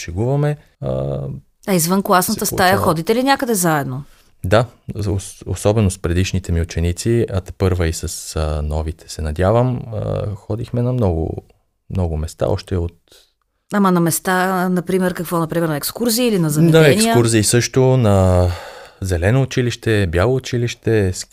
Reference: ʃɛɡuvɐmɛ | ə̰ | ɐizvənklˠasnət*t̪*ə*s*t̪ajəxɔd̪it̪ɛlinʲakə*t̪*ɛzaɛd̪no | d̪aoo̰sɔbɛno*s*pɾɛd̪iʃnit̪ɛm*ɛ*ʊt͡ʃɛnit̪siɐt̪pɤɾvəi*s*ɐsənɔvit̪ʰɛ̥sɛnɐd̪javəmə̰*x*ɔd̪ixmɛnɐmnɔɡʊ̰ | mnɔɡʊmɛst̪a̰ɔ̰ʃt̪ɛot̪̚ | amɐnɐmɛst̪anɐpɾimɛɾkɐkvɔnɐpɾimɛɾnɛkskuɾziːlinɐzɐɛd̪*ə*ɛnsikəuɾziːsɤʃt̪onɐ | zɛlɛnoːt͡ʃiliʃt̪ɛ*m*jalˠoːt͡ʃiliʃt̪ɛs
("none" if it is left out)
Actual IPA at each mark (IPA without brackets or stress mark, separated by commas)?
t̪, s, d̪, s, i, s, x, a, b